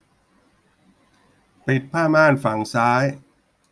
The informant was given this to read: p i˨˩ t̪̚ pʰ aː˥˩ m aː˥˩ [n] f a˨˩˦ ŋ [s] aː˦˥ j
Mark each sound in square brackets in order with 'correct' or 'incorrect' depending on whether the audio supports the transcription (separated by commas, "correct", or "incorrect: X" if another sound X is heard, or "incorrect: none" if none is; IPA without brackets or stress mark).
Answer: correct, correct